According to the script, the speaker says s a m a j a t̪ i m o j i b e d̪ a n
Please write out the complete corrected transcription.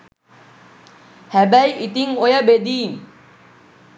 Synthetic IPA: h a b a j i t̪ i ŋ o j a b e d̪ i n